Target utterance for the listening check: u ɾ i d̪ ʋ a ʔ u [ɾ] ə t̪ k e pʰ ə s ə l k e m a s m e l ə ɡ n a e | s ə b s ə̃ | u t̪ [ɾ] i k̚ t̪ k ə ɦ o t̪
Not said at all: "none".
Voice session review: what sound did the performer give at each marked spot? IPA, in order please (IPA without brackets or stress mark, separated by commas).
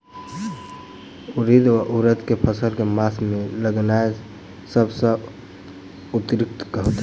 ɾ, ɾ